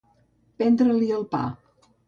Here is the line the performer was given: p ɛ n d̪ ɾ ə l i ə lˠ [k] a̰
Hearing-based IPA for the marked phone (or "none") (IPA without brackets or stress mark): p